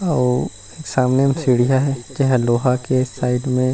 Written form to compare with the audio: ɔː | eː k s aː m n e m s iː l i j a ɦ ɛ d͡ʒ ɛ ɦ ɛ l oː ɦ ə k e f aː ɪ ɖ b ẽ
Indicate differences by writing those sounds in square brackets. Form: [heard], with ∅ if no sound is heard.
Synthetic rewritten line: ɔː | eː k s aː m n e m s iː [ɽ] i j a ɦ ɛ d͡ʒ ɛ ɦ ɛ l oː ɦ [a] k e [s] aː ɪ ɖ [m] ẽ